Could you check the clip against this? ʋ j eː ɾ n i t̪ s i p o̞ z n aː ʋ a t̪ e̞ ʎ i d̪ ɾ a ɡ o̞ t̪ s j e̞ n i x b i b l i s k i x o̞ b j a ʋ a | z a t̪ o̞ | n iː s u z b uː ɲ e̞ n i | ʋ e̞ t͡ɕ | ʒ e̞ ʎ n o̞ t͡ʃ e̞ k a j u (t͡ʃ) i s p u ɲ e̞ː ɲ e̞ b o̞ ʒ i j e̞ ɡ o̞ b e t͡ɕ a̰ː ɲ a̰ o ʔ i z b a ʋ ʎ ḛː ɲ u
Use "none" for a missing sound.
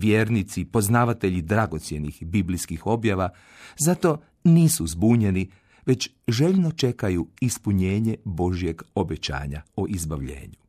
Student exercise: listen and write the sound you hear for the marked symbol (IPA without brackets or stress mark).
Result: none